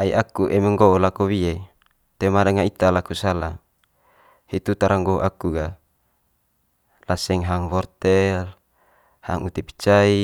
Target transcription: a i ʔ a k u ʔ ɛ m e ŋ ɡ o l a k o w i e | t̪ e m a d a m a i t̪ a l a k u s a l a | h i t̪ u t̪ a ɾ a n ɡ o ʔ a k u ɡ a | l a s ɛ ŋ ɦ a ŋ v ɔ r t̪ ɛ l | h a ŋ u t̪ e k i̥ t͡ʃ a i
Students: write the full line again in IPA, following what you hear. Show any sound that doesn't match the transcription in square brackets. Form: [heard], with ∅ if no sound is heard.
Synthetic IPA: a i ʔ a k u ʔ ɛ m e ŋ ɡ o l a k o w i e | t̪ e m a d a [ŋ] a i t̪ a l a k u s a l a | h i t̪ u t̪ a ɾ a [ŋ] ɡ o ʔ a k u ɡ a | l a s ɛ ŋ ɦ a ŋ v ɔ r t̪ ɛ l | h a ŋ u t̪ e [p] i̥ t͡ʃ a i